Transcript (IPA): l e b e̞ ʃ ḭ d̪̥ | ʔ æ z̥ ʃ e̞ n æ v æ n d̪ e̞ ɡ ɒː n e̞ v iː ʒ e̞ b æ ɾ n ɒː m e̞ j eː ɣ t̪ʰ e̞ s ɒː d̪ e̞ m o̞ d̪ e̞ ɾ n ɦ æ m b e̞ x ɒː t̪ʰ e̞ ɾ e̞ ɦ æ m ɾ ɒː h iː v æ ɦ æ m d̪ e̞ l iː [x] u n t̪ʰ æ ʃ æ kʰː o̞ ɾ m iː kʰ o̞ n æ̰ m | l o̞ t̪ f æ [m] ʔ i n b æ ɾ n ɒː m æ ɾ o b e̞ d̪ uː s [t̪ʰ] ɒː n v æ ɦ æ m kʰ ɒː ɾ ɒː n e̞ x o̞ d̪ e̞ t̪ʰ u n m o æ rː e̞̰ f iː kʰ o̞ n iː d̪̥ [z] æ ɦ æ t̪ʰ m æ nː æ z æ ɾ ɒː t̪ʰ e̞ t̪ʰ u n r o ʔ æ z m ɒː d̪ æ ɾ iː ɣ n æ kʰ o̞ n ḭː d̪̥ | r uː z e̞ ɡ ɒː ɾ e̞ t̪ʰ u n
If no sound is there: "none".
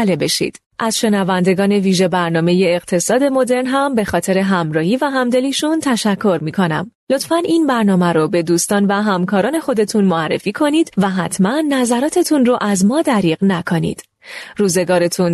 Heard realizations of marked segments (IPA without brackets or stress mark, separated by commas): ʃ, n, t̪, v